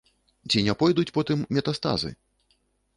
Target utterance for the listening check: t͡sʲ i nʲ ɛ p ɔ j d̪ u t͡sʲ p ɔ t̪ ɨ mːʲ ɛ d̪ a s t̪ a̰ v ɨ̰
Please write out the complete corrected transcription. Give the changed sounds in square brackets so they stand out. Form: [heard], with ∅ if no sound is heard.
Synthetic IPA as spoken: t͡sʲ i nʲ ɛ p ɔ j d̪ u t͡sʲ p ɔ t̪ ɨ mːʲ ɛ [t̪] a s t̪ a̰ [z] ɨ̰